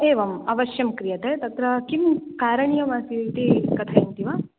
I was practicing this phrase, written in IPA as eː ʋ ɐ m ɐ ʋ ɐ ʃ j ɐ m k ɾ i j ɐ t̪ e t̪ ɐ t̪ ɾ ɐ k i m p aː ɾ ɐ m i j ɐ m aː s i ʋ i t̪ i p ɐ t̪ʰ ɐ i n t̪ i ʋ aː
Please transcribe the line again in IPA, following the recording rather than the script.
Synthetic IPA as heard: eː ʋ ɐ m ɐ ʋ ɐ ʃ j ɐ m k ɾ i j ɐ t̪ e t̪ ɐ t̪ ɾ ɐ k i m k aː ɾ ɐ ɳ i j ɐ m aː s i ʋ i t̪ i k ɐ t̪ʰ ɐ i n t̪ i ʋ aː